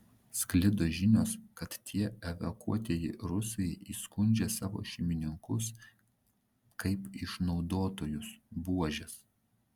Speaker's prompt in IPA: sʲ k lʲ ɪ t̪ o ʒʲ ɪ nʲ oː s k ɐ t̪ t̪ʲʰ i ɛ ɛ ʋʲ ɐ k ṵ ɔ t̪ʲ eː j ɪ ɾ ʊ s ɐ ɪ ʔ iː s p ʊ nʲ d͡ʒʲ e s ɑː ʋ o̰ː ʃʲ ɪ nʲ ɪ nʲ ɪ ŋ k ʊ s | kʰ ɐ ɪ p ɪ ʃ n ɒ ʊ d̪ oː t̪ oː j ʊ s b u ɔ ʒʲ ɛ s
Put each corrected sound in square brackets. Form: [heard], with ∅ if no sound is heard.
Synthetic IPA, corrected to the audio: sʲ k lʲ ɪ [d̪] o ʒʲ ɪ nʲ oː s k ɐ t̪ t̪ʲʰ i ɛ ɛ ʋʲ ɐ k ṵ ɔ t̪ʲ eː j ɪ ɾ ʊ s ɐ ɪ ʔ iː s [k] ʊ nʲ d͡ʒʲ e s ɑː ʋ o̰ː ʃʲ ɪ [mʲ] ɪ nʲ ɪ ŋ k ʊ s | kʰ ɐ ɪ p ɪ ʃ n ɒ ʊ d̪ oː t̪ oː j ʊ s b u ɔ ʒʲ ɛ s